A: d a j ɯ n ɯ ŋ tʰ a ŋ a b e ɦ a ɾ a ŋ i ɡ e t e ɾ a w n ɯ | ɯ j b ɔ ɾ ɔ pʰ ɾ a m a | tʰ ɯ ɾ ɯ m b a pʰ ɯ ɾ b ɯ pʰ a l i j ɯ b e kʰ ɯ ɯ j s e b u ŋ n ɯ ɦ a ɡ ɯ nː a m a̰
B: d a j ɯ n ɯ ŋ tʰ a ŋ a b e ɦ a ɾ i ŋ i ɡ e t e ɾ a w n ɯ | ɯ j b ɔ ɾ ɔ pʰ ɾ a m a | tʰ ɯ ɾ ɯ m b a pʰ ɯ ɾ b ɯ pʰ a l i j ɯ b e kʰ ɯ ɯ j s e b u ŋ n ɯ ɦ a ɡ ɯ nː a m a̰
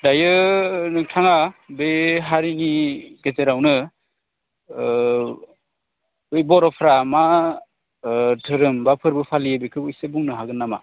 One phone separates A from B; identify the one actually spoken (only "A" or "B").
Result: B